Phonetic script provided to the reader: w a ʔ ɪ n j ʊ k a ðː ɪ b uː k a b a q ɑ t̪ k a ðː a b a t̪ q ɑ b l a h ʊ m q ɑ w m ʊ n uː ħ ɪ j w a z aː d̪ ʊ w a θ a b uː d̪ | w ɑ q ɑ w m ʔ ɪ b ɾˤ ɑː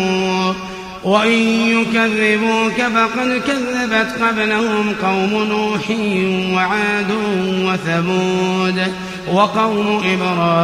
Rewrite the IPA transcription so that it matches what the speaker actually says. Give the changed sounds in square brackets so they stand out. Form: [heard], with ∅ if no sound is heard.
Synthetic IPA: w a ʔ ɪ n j ʊ k a ðː ɪ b uː k a b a q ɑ [d̪] k a ðː a b a t̪ q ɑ b l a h ʊ m q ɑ w m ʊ n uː ħ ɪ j w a [ʕ] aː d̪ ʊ w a θ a b uː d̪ | w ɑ q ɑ w m ʔ ɪ b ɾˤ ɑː